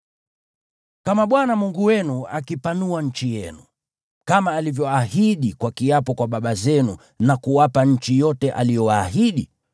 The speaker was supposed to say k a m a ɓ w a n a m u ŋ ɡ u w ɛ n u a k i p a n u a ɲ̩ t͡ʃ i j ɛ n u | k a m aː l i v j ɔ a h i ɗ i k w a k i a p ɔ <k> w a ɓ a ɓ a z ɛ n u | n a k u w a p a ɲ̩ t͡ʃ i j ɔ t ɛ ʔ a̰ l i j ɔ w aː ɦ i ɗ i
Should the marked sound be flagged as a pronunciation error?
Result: no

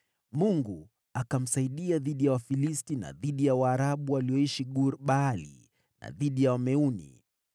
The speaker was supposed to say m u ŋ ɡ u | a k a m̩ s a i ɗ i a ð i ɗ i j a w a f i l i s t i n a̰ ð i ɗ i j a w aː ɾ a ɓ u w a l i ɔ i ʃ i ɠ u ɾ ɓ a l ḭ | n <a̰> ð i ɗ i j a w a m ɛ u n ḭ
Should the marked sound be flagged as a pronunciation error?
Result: no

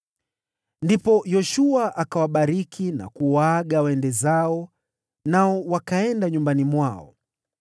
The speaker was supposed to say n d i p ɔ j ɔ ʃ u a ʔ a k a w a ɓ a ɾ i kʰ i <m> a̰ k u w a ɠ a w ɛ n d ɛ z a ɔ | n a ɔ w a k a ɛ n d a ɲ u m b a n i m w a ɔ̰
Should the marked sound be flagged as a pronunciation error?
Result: yes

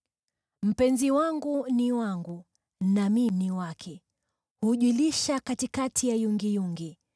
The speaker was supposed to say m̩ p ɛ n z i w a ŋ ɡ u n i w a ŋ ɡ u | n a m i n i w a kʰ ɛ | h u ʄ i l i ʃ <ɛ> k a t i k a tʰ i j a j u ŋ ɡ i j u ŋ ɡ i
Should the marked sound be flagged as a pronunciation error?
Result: yes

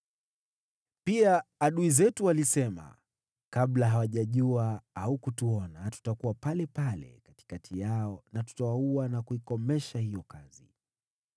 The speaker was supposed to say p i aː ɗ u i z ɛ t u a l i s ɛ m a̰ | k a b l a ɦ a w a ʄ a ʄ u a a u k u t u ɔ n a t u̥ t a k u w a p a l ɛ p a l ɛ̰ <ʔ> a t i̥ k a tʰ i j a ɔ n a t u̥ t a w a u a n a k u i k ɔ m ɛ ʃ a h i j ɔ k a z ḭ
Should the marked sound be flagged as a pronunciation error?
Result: yes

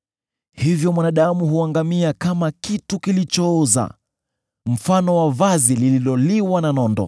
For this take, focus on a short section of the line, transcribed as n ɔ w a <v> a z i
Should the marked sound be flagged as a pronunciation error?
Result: no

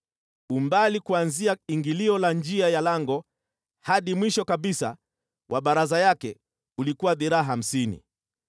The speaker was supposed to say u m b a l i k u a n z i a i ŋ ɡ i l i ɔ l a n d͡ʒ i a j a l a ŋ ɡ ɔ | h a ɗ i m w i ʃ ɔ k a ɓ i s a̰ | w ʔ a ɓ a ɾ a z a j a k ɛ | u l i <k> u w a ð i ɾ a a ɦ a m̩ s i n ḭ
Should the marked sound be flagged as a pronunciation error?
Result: no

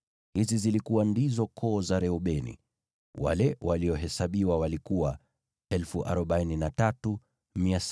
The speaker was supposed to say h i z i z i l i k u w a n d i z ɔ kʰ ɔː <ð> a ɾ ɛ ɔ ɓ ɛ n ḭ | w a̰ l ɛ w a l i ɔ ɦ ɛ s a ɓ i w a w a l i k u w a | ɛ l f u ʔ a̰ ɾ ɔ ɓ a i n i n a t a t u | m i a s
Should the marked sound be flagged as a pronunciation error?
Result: yes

